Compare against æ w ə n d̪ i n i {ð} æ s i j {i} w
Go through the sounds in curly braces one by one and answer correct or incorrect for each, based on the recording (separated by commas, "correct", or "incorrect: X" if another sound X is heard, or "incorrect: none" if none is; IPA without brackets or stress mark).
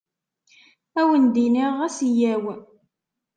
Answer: incorrect: ʁ, incorrect: æ